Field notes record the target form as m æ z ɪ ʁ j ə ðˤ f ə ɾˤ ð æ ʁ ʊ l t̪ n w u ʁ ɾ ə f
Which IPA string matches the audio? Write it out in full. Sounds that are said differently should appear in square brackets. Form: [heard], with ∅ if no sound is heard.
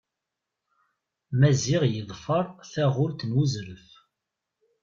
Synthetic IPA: m æ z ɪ ʁ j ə ðˤ f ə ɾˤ [θ] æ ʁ ʊ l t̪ n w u [z] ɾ ə f